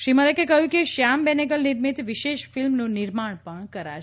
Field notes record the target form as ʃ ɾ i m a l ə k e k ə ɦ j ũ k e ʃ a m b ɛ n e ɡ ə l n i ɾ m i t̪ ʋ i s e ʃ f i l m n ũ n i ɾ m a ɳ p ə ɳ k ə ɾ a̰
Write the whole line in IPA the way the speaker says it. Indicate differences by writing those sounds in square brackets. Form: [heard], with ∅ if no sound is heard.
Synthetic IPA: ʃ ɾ i m [ə] l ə k e k ə ɦ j ũ k e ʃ a m b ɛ n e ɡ ə l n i ɾ m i t̪ ʋ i [ʃ] e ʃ f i l m n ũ n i ɾ m a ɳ p ə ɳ k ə ɾ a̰

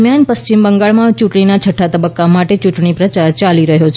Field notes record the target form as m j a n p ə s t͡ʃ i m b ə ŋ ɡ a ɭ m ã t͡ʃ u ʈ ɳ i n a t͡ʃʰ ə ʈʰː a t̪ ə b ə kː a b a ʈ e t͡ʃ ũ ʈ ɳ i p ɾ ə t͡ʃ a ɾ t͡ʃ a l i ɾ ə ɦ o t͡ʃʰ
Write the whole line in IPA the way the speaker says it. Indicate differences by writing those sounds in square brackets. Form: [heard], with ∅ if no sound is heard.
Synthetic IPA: m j a n p ə s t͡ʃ i m b ə ŋ ɡ a ɭ m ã t͡ʃ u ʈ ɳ i n a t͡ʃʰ ə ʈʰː a t̪ ə b ə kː a [m] a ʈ e t͡ʃ [u] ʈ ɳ i p ɾ ə t͡ʃ a ɾ t͡ʃ a l i ɾ ə ɦ o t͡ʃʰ

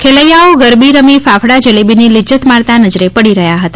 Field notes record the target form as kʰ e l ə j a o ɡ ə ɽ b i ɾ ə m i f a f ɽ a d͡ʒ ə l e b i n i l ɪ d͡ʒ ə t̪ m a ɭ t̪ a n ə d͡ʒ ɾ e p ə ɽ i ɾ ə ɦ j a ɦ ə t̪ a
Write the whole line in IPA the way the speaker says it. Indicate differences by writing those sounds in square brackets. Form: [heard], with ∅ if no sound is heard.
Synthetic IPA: kʰ e l ə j a o ɡ ə [ɾ] b i ɾ ə m i f a f ɽ a d͡ʒ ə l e b i n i l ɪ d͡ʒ ə t̪ m a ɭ t̪ a n ə d͡ʒ ɾ e p ə ɽ i ɾ ə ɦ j a ɦ ə t̪ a

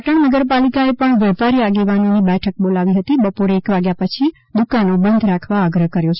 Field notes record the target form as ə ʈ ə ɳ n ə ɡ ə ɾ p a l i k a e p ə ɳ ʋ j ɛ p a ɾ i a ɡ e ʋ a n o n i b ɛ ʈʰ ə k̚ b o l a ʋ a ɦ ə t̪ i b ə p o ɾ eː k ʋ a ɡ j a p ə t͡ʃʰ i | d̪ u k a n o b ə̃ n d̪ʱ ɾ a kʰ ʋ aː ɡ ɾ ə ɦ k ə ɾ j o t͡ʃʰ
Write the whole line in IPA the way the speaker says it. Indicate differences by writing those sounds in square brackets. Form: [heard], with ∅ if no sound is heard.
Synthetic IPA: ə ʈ ə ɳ n ə ɡ ə ɾ p a l i k a e p ə ɳ ʋ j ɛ p a ɾ i a ɡ e ʋ a n o n i b ɛ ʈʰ ə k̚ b o l a ʋ [i] ɦ ə t̪ i b ə p o ɾ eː k ʋ a ɡ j a p ə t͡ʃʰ i | d̪ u k a n o b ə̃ n d̪ʱ ɾ a kʰ ʋ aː ɡ ɾ ə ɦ k ə ɾ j o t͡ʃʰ

